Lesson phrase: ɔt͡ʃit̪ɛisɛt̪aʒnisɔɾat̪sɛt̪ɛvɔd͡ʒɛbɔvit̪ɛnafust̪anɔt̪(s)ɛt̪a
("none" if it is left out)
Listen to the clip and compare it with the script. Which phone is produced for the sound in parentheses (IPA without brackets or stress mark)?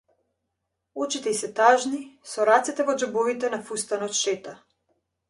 ʃ